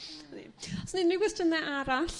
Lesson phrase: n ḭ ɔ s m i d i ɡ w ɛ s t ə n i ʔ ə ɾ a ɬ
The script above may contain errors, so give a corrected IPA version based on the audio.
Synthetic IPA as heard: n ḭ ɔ s n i n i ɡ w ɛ s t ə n ɛ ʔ a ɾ a ɬ